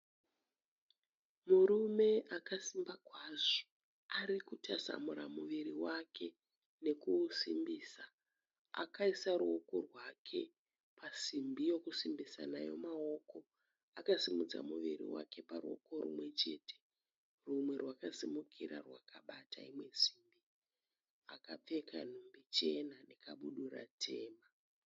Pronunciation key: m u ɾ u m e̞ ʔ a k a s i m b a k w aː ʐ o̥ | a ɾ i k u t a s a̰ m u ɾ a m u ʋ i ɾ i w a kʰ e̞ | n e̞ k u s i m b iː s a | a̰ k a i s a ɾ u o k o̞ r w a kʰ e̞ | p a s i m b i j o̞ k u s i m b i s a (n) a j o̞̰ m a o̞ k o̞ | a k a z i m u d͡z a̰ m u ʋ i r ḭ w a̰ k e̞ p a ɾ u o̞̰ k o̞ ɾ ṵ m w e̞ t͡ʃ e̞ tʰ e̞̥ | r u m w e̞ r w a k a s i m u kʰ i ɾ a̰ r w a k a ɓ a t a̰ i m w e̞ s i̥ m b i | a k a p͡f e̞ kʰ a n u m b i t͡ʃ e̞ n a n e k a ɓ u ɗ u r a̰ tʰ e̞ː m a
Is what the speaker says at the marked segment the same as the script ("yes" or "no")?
yes